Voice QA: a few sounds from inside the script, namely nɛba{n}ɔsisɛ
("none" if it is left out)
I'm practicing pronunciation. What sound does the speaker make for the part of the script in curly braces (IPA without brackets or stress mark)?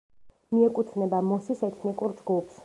m